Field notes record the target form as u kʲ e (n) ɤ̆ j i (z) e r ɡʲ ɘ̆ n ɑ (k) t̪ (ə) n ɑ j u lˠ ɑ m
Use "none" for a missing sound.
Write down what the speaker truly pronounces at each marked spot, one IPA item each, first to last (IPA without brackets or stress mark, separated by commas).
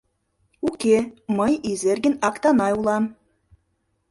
m, z, k, ɑ